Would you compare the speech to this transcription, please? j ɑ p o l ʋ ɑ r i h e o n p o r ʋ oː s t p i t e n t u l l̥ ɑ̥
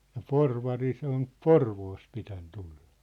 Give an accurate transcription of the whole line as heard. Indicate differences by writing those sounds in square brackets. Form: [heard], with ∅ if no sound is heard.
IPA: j ɑ p o [r] ʋ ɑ r i [s] e o n p o r ʋ oː s t p i t [æ] n t u l l̥ ɑ̥